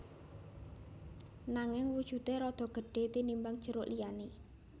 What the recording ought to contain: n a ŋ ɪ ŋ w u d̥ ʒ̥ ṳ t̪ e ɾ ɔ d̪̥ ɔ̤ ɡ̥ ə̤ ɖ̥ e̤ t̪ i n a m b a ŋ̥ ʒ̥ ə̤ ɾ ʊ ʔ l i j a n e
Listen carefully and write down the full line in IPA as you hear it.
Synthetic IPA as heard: n a ŋ ɪ ŋ w u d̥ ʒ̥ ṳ t̪ e ɾ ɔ d̪̥ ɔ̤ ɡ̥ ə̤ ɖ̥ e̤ t̪ i n i m b a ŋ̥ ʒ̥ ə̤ ɾ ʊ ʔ l i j a n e